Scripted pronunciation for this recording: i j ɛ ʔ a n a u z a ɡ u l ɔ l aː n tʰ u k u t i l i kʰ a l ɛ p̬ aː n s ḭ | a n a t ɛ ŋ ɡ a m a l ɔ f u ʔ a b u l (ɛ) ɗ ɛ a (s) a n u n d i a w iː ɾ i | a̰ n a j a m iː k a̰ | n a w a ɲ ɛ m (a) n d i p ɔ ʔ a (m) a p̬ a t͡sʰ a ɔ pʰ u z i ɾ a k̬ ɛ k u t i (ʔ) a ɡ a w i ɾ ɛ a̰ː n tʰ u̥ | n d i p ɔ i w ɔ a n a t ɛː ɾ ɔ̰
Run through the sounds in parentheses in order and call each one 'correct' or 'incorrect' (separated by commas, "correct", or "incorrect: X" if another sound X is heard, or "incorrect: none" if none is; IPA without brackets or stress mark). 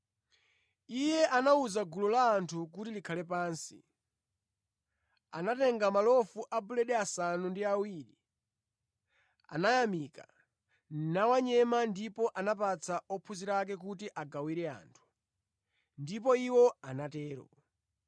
correct, correct, correct, incorrect: n, correct